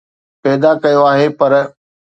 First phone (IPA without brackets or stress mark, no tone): p